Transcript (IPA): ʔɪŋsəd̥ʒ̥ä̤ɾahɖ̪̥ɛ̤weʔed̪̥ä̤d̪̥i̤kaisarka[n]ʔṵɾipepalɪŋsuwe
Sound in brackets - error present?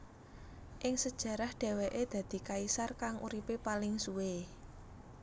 yes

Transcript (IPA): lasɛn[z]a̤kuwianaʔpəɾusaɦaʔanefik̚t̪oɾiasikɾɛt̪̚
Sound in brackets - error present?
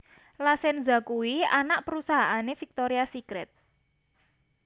no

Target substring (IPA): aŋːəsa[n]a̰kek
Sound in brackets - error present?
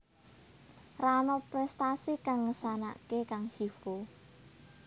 no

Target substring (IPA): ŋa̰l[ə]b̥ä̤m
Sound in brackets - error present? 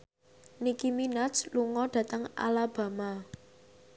yes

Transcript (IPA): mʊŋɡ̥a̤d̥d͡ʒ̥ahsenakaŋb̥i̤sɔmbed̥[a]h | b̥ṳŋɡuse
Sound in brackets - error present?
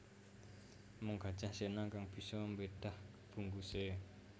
no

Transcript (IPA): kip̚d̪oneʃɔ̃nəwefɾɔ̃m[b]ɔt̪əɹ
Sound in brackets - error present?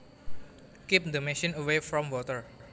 yes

